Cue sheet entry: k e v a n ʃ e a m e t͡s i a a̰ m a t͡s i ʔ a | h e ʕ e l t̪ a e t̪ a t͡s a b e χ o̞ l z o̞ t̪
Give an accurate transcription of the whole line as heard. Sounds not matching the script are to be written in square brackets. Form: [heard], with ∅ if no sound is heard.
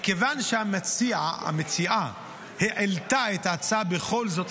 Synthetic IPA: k e v a n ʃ e a m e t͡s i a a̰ m [e] t͡s i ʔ a | h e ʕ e l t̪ a e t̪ a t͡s a b e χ o̞ l z o̞ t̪

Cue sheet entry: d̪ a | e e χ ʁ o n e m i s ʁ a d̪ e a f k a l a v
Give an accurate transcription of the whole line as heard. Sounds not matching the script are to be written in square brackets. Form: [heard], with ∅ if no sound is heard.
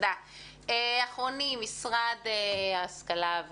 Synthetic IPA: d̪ a | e [a] χ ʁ o n [i] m i s ʁ a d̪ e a [s] k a l a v

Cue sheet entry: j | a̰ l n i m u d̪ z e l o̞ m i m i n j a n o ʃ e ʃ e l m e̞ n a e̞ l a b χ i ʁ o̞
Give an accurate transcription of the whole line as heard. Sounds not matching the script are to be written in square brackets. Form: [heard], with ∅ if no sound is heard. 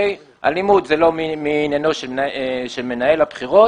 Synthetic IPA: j | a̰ l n i m u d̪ z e l o̞ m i m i n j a n o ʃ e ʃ e l m e̞ n a e̞ l a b χ i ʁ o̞

